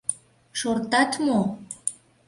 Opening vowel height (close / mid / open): mid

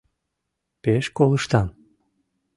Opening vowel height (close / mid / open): mid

